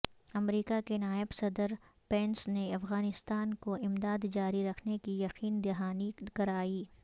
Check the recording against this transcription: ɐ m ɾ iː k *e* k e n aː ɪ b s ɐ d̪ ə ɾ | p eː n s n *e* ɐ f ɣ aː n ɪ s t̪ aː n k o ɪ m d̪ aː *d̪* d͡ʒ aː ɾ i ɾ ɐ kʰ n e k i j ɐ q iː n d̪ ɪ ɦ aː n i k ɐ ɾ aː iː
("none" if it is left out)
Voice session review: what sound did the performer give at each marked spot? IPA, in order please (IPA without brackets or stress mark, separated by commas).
a, e, d̪